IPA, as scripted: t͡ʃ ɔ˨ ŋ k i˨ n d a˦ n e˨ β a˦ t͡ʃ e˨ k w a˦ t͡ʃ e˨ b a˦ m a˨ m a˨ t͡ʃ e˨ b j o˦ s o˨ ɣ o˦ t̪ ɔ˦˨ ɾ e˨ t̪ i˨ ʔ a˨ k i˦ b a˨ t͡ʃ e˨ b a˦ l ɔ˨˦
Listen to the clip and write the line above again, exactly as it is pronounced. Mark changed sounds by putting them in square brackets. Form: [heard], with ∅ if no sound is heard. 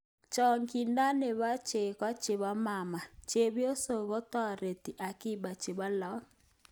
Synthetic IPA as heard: t͡ʃ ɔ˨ ŋ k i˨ n d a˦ n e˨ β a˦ t͡ʃ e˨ k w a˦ t͡ʃ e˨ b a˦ m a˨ m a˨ t͡ʃ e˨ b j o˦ s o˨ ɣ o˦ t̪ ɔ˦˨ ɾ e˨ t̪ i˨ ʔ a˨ k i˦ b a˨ t͡ʃ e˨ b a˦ l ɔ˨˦